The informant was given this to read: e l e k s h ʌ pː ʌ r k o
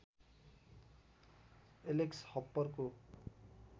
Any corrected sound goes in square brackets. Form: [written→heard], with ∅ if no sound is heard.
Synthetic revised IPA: e l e k s h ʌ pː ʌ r k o